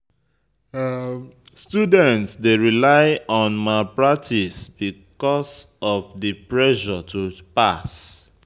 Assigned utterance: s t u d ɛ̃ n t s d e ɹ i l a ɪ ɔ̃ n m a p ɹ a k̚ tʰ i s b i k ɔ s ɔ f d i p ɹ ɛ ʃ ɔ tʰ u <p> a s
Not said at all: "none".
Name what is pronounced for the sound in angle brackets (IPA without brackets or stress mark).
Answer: p